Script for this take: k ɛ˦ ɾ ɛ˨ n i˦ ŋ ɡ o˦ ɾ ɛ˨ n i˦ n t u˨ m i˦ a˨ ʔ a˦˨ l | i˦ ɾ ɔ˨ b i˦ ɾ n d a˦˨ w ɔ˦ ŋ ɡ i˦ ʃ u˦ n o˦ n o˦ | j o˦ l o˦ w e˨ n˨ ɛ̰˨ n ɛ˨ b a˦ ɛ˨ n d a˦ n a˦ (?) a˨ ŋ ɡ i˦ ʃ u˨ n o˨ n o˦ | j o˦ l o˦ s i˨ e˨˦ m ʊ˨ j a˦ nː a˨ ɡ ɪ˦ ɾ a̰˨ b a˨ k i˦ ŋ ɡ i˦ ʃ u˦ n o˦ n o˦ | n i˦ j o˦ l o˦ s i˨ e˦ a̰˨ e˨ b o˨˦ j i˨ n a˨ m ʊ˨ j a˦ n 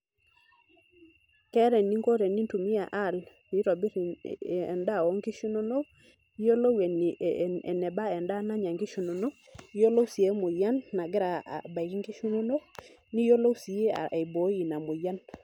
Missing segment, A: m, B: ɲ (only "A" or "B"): B